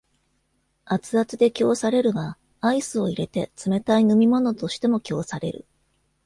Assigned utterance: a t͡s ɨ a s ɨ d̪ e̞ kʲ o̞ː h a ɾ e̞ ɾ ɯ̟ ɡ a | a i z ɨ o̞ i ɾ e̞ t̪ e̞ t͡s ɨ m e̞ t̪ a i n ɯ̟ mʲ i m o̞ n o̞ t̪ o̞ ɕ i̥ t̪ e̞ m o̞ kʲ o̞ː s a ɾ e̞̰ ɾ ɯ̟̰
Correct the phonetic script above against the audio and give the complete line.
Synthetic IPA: a t͡s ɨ a t͡s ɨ d̪ e̞ kʲ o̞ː s a ɾ e̞ ɾ ɯ̟ ɡ a | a i s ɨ o̞ i ɾ e̞ t̪ e̞ t͡s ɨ m e̞ t̪ a i n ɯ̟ mʲ i m o̞ n o̞ t̪ o̞ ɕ i̥ t̪ e̞ m o̞ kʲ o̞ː s a ɾ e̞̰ ɾ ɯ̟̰